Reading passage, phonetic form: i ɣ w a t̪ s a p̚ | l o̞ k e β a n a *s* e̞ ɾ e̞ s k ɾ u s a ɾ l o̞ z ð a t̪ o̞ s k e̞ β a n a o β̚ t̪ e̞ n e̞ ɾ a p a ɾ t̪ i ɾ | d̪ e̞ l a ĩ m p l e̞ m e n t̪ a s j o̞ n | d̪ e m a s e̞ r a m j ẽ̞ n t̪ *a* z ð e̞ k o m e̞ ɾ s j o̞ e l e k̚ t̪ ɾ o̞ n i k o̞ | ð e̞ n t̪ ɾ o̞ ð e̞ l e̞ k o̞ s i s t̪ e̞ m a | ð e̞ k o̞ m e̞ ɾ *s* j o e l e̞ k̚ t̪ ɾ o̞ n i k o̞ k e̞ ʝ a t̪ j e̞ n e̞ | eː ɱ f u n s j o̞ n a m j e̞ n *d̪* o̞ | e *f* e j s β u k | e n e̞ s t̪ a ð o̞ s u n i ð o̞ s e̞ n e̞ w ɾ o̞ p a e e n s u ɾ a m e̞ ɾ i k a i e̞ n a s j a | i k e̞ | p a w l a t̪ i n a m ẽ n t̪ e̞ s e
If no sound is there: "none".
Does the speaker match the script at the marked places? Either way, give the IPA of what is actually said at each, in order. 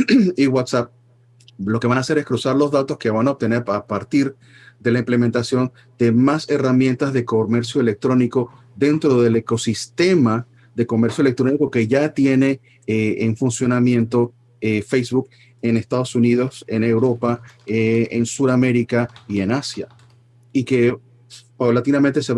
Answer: s, a, s, t̪, f

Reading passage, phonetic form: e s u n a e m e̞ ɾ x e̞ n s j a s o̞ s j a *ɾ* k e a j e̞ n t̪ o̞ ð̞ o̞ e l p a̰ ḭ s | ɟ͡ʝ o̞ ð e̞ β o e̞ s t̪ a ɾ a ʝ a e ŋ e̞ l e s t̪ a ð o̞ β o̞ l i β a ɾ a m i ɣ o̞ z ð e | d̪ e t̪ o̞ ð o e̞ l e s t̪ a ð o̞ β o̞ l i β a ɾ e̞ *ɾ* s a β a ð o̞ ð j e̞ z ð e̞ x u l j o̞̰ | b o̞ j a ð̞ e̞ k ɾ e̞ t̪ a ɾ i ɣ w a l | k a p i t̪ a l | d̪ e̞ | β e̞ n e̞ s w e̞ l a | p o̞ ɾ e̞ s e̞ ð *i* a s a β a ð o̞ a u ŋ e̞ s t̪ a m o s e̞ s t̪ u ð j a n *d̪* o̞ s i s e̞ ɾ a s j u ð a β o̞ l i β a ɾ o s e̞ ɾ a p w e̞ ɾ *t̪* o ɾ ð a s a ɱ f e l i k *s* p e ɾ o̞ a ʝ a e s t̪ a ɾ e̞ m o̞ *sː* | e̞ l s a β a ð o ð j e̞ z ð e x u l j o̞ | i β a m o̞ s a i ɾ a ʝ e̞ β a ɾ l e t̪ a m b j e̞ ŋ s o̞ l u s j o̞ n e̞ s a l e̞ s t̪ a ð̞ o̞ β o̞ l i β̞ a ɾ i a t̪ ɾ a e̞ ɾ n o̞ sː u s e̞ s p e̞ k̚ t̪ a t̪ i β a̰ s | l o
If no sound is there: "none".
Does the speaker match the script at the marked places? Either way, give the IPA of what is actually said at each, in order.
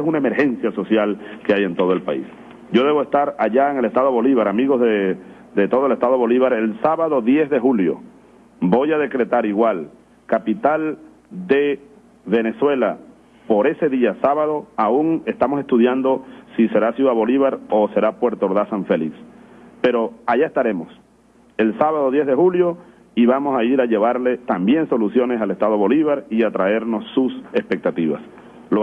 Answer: l, l, i, d̪, t̪, s, s

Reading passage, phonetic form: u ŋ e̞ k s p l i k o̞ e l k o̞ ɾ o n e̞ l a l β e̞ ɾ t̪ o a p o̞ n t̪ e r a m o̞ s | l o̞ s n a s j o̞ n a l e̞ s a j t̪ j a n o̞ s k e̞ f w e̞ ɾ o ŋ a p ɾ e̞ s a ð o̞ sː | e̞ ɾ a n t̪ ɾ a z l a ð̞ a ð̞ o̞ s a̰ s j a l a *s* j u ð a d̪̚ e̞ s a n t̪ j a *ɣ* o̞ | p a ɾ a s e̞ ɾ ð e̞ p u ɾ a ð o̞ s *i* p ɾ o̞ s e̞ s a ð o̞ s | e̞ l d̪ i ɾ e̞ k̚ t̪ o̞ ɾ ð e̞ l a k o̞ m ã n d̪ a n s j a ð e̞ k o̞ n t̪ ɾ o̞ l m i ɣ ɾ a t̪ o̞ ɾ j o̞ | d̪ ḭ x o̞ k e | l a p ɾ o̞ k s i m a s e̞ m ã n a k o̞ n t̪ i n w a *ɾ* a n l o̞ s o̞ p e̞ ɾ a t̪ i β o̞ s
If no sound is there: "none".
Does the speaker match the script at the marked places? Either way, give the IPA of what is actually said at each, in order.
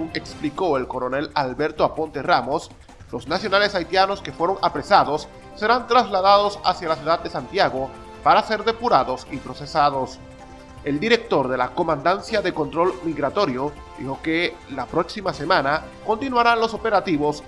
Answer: s, ɣ, i, ɾ

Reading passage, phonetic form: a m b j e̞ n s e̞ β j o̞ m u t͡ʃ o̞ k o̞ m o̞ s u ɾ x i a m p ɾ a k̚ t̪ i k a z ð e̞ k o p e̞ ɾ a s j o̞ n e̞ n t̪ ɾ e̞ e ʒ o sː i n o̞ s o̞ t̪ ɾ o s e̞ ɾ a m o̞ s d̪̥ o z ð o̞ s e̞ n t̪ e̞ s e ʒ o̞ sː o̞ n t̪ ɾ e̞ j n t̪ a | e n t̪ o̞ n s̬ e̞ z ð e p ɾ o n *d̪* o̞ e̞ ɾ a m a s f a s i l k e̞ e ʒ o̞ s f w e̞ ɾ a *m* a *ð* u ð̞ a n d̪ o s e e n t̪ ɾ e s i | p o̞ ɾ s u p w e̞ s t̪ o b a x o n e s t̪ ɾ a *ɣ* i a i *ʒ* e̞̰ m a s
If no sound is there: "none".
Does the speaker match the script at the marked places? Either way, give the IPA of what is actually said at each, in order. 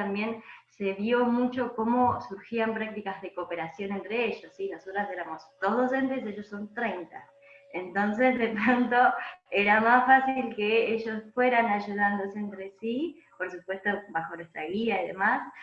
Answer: t̪, n, ʒ, ɣ, ð

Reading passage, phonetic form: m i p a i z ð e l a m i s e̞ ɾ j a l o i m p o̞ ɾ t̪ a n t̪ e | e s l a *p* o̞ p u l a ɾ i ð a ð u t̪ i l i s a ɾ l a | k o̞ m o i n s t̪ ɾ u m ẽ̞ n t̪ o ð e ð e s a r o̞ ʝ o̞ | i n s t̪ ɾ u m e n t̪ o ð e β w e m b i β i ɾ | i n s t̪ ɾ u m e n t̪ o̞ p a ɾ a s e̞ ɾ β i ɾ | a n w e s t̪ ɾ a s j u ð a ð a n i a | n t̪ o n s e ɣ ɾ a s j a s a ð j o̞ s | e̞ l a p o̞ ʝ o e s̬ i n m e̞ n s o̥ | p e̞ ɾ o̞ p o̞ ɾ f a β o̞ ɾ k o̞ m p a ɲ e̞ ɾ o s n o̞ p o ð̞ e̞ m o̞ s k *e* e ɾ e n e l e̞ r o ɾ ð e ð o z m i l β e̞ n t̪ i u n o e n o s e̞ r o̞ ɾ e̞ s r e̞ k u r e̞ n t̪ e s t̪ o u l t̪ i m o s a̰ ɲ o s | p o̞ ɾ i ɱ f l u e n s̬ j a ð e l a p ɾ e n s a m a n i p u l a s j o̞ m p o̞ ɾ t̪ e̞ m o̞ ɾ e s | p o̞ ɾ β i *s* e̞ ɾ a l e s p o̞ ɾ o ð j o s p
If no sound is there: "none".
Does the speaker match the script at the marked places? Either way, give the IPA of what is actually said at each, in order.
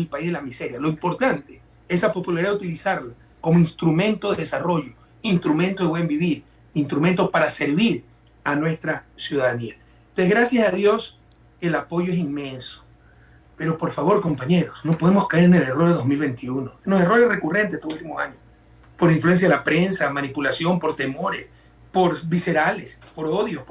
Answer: p, a, s

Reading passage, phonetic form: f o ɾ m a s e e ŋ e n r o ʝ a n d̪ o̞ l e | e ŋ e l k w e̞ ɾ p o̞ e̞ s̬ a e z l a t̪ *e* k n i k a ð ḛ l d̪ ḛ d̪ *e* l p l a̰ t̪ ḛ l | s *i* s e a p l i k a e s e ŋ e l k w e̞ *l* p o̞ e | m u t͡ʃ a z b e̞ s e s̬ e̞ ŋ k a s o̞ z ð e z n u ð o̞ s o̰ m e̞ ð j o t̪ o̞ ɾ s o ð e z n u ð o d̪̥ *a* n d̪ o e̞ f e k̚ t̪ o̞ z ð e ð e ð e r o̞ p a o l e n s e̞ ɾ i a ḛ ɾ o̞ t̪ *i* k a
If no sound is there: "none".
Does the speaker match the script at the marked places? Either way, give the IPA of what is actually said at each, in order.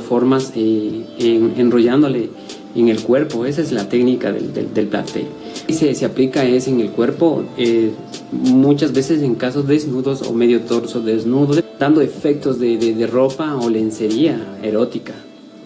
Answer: e, e, e, ɾ, a, i

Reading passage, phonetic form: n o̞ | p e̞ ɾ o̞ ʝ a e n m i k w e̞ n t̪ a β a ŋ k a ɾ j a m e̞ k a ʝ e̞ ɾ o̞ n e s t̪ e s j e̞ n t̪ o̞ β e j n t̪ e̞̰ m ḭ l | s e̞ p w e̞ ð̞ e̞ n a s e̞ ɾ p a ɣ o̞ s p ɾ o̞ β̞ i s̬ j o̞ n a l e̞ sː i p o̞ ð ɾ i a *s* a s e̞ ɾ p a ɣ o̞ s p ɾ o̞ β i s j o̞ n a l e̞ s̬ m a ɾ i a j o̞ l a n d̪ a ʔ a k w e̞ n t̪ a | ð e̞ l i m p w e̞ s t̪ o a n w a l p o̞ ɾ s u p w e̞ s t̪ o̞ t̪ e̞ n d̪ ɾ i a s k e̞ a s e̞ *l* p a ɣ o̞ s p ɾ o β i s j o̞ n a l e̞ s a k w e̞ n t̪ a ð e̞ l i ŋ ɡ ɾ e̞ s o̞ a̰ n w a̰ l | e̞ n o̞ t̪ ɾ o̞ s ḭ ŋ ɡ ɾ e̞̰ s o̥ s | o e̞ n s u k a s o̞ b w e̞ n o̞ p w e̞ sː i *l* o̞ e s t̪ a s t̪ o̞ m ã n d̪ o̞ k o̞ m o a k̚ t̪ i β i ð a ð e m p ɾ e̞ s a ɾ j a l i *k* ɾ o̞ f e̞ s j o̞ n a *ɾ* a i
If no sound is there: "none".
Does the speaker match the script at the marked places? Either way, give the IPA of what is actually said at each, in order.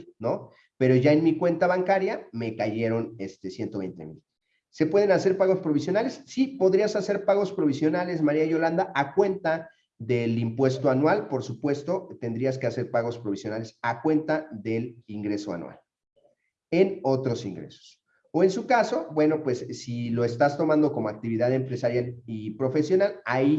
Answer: s, ɾ, l, p, l

